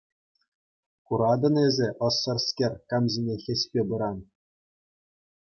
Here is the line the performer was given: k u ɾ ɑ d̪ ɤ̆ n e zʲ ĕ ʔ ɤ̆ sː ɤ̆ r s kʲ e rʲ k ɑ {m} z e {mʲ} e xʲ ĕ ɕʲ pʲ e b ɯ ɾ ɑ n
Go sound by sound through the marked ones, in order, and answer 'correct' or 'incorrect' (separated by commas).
correct, incorrect